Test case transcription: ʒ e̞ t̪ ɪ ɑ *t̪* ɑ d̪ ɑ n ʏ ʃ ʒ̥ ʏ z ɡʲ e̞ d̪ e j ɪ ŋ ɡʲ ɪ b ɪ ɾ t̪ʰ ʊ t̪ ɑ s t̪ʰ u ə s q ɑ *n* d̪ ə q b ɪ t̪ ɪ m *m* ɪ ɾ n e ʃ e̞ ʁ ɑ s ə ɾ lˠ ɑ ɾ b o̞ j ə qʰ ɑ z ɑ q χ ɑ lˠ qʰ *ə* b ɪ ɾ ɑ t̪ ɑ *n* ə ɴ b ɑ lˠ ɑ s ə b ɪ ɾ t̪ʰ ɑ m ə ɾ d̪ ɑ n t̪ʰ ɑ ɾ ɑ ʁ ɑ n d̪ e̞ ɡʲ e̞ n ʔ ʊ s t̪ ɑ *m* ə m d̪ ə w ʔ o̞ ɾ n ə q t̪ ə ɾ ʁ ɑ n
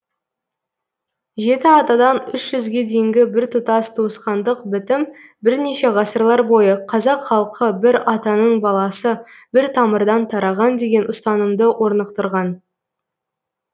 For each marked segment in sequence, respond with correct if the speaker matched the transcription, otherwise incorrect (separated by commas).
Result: correct, correct, incorrect, correct, correct, incorrect